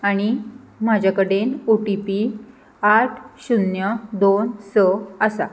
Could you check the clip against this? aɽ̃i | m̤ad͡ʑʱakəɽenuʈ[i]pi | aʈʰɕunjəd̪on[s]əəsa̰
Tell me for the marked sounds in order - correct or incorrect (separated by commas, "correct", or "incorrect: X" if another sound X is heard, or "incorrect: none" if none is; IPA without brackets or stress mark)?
correct, correct